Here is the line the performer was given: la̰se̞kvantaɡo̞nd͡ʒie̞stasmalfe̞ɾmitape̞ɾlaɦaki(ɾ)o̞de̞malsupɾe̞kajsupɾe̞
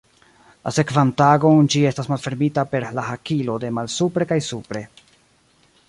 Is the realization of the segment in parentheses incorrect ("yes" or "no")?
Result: yes